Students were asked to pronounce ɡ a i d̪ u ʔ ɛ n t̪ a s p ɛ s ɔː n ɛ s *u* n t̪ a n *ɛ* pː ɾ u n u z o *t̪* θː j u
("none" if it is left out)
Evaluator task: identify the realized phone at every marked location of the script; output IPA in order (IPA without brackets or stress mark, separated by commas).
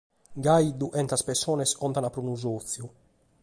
ɔ, a, t̪